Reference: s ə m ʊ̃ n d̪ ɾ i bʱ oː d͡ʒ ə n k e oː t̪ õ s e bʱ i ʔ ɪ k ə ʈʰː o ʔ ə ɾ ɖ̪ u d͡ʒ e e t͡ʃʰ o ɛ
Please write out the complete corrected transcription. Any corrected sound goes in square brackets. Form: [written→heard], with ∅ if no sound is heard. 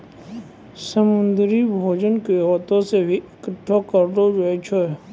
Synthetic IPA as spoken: s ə m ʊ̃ n d̪ ɾ i bʱ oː d͡ʒ ə n k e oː t̪ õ s e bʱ i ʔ ɪ k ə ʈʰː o [ʔ→k] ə ɾ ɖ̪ [u→o] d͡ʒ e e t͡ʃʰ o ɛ